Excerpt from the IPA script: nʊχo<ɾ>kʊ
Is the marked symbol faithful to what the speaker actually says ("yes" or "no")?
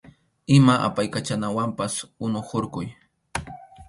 yes